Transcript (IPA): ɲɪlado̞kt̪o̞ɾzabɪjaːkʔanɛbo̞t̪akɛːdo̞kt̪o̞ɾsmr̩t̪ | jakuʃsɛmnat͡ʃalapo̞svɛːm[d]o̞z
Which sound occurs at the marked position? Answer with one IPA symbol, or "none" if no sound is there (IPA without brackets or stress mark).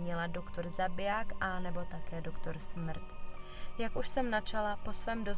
d